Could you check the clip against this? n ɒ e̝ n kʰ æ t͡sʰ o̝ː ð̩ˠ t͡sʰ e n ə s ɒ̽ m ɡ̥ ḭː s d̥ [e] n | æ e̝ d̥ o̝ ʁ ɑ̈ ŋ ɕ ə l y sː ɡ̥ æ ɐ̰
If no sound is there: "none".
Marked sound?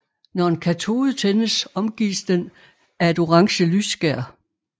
e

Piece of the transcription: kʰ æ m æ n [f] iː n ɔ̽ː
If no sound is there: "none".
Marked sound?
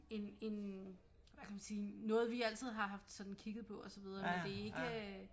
s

